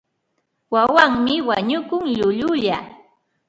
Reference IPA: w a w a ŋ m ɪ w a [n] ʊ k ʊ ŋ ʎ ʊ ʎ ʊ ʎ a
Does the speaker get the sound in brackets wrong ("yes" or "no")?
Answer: yes